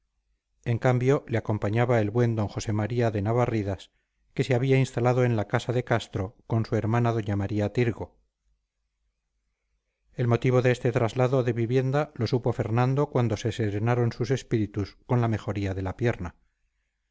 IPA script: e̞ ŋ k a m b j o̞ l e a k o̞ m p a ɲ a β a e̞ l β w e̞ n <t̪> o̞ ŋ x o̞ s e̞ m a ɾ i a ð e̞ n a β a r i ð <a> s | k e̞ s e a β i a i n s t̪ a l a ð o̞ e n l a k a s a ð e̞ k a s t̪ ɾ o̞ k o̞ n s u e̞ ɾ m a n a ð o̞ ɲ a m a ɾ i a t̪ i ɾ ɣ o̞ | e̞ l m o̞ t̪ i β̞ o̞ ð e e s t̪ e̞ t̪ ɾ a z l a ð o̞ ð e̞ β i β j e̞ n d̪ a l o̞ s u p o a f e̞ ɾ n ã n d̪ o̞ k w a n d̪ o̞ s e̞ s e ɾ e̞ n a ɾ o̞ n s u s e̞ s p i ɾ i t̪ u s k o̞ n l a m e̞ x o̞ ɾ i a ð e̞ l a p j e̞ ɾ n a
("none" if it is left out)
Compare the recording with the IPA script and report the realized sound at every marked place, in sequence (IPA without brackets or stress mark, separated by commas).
d̪, a